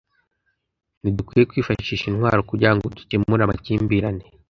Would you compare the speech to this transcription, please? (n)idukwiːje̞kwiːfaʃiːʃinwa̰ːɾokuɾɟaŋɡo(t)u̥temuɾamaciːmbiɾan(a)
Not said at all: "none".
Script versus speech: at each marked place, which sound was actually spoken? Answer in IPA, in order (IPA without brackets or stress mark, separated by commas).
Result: n, d, e